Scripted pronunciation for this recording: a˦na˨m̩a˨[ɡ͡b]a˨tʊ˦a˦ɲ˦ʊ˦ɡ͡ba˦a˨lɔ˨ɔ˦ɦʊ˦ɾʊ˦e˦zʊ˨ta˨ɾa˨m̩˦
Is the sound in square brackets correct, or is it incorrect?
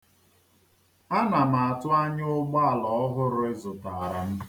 incorrect